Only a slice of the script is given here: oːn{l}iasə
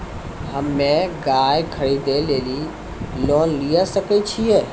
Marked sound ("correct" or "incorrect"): correct